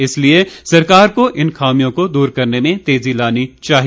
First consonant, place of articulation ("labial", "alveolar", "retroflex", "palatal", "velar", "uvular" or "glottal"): alveolar